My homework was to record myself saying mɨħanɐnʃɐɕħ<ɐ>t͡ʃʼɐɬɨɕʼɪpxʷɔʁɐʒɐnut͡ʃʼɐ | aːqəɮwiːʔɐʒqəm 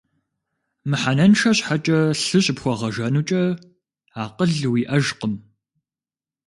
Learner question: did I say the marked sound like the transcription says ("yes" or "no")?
no